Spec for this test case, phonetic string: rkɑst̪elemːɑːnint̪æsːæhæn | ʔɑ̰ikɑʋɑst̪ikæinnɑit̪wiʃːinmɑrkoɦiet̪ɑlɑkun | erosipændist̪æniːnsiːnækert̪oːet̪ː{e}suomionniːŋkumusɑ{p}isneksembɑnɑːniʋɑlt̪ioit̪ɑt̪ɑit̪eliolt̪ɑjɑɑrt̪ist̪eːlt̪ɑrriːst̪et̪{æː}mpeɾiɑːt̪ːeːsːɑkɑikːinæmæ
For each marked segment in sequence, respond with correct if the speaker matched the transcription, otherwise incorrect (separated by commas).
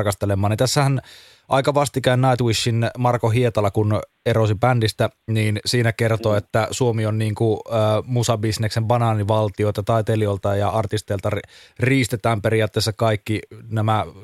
incorrect, incorrect, correct